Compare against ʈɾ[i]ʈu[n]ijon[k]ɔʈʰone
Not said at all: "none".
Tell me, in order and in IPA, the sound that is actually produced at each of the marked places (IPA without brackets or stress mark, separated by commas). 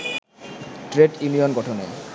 e, n, ɡ